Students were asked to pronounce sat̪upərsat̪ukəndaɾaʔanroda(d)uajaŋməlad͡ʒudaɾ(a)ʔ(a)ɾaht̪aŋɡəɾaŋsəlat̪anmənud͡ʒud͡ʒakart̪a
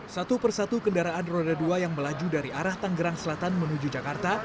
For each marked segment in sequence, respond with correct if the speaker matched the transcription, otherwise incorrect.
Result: correct, incorrect, correct

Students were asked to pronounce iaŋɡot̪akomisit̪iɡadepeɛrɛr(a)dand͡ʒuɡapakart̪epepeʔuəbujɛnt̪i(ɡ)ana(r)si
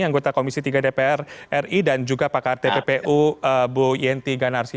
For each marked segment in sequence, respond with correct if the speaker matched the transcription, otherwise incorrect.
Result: incorrect, correct, correct

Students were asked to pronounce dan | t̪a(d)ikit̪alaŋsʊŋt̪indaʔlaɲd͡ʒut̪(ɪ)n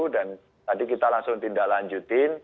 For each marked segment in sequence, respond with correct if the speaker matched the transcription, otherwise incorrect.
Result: correct, correct

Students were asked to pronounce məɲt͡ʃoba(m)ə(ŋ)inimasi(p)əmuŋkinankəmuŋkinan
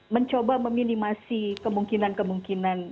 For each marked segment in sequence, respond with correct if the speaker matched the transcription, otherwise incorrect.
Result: correct, incorrect, incorrect

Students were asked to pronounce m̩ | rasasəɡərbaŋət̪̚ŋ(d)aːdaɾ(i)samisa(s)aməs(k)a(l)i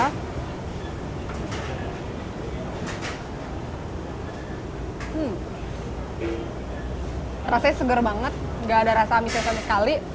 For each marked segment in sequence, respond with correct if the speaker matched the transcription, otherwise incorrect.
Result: incorrect, incorrect, correct, correct, correct

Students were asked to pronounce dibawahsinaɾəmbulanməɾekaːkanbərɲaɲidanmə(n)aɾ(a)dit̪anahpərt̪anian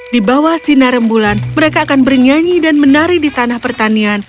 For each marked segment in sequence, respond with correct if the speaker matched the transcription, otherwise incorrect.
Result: correct, incorrect

